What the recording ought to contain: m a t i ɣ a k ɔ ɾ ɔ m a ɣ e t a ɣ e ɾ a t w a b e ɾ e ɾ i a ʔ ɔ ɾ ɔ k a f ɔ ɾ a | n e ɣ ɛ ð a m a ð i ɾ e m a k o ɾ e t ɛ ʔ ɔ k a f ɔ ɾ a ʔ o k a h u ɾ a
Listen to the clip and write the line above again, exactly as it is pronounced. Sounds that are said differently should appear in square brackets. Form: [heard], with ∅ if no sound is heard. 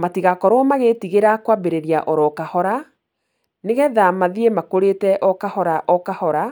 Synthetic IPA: m a t i ɣ a k ɔ ɾ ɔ m a ɣ e t [i] ɣ e ɾ a [k] w a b e ɾ e ɾ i a ʔ ɔ ɾ ɔ k a [h] ɔ ɾ a | n e ɣ ɛ ð a m a ð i [∅] e m a k o ɾ e t ɛ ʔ ɔ k a [h] ɔ ɾ a ʔ [ɔ] k a h [ɔ] ɾ a